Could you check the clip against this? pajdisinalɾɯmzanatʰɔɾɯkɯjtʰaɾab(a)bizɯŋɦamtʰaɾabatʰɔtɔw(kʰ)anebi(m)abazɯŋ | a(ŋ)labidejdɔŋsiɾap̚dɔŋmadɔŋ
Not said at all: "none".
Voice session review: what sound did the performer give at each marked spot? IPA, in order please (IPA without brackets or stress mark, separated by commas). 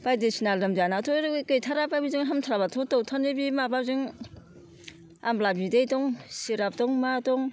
a, tʰ, m, m